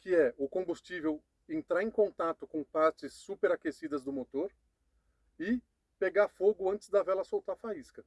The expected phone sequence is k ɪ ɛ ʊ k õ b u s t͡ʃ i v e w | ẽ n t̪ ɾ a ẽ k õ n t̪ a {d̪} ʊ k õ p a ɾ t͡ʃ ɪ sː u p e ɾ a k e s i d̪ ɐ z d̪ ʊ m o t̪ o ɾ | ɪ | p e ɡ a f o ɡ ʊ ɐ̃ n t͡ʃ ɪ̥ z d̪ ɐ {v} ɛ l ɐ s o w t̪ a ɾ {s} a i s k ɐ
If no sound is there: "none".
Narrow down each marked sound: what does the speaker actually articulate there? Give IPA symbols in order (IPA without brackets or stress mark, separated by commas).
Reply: t̪, v, f